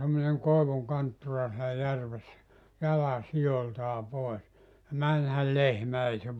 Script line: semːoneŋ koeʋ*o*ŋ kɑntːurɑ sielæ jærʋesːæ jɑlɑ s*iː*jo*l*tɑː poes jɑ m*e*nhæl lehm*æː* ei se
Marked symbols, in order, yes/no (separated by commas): no, no, yes, no, no